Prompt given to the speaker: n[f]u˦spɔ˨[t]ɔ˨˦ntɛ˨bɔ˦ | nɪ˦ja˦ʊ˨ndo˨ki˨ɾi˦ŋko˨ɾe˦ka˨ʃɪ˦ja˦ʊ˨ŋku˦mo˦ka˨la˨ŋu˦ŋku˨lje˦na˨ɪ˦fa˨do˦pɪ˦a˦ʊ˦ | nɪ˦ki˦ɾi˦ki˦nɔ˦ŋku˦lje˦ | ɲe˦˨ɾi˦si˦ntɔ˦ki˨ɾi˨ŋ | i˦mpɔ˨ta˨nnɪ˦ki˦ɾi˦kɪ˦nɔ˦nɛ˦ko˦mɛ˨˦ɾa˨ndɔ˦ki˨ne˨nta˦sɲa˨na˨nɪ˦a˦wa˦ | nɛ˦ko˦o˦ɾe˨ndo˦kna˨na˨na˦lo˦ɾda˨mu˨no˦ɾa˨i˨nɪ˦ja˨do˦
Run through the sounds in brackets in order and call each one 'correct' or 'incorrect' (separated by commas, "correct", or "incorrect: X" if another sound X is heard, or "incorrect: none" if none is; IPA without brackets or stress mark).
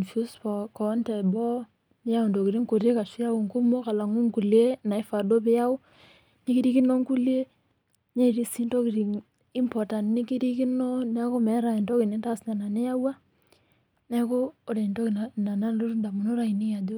correct, incorrect: k